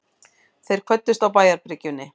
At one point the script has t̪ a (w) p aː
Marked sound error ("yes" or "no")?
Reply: no